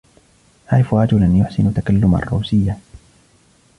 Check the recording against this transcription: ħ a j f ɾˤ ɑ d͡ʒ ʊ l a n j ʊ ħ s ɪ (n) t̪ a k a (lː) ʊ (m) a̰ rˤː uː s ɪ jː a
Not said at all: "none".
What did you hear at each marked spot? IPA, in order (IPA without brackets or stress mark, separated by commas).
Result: n, lː, m